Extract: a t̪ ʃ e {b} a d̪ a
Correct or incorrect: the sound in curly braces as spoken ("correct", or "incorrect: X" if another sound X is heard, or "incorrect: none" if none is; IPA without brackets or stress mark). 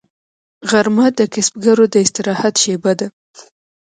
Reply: correct